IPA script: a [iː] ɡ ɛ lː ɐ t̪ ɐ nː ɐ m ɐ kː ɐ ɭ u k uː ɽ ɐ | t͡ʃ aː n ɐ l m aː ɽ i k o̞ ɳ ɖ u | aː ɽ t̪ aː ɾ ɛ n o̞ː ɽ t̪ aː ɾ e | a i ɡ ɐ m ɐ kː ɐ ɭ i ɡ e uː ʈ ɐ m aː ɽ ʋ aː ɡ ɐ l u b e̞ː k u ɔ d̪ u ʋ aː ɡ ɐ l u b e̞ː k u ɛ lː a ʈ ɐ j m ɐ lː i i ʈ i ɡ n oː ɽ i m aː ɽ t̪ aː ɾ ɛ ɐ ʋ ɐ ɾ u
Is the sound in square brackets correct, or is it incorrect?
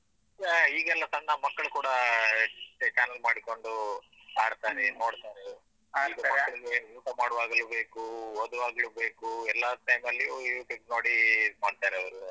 correct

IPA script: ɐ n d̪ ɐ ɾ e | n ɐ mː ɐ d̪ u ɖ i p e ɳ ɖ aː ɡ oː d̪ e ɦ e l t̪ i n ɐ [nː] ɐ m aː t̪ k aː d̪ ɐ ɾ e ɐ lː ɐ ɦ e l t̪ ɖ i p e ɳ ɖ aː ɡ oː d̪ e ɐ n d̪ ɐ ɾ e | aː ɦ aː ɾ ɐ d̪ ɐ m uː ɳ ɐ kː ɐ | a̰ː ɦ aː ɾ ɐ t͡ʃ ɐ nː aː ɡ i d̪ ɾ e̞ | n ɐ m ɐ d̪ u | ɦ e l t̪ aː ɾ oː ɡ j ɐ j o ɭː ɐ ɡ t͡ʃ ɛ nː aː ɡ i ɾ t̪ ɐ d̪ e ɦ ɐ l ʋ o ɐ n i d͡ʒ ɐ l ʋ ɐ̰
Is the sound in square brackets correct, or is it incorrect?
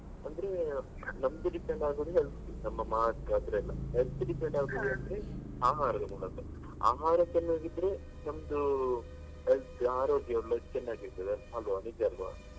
incorrect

